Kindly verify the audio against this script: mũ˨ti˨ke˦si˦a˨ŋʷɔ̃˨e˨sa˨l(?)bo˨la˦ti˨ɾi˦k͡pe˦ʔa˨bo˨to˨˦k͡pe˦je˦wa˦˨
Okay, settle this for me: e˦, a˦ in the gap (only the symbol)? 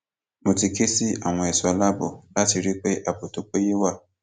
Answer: a˦